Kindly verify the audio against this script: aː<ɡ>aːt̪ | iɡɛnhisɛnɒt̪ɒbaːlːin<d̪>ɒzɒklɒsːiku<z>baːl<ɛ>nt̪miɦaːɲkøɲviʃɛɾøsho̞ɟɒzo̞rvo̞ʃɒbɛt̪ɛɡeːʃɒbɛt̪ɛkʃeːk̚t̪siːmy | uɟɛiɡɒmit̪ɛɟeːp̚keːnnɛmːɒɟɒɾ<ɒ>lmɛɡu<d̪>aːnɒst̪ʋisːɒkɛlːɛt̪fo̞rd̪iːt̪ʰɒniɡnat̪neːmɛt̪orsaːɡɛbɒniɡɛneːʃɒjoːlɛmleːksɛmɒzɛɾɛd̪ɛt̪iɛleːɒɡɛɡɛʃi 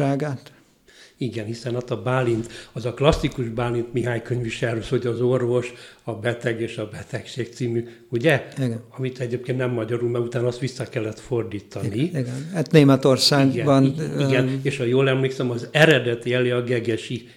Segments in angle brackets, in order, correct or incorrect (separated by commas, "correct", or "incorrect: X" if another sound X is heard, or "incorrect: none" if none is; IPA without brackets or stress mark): correct, incorrect: t̪, incorrect: ʒ, incorrect: i, incorrect: u, incorrect: t̪